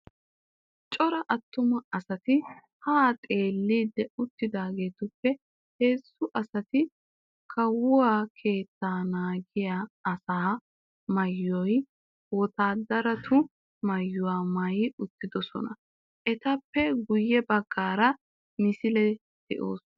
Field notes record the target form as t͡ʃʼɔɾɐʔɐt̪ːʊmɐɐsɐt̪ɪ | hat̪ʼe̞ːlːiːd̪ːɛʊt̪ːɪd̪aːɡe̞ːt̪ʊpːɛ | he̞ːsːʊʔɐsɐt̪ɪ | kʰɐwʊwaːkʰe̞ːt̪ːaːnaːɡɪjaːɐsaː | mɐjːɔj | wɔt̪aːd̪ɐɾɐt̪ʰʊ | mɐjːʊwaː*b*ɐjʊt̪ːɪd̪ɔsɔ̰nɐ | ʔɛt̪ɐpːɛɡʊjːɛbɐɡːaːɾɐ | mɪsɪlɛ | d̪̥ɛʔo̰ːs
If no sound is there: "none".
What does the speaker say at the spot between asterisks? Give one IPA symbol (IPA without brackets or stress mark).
m